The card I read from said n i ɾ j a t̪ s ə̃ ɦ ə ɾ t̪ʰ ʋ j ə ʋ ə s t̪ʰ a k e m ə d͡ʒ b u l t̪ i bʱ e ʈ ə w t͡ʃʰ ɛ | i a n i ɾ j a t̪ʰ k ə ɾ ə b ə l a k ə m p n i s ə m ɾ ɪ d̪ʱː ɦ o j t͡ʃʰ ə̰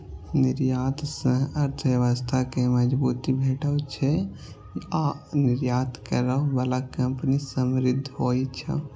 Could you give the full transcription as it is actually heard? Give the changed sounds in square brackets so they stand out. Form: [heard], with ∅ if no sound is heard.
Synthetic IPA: n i ɾ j a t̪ s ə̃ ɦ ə ɾ t̪ʰ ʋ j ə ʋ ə s t̪ʰ a k e m ə d͡ʒ b u [∅] t̪ i bʱ e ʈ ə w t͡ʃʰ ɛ | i a n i ɾ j a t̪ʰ k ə ɾ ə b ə l a k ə m p n i s ə m ɾ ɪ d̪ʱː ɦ o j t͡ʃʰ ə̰